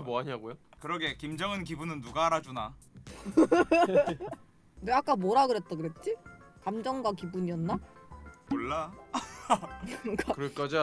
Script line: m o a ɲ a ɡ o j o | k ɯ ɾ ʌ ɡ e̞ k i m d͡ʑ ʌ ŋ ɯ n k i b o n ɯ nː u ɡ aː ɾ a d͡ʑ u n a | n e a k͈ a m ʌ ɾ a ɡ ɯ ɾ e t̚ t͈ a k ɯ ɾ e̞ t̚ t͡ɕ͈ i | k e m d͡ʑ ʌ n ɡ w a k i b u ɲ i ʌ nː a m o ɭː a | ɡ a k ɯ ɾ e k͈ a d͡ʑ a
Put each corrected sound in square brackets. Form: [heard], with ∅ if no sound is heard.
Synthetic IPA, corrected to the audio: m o a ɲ a ɡ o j o | k ɯ ɾ ʌ ɡ e̞ k i m d͡ʑ ʌ ŋ ɯ n k i b [u] n ɯ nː u ɡ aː ɾ a d͡ʑ u n a | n e a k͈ a m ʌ ɾ a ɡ ɯ ɾ e t̚ t͈ a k ɯ ɾ e̞ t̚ t͡ɕ͈ i | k [a] m d͡ʑ ʌ [ŋ] ɡ w a k i b u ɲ i ʌ nː a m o ɭː a | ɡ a k ɯ ɾ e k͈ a d͡ʑ a